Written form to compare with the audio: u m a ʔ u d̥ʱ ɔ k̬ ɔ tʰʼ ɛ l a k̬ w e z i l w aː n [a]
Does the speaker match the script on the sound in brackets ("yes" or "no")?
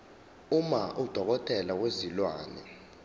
no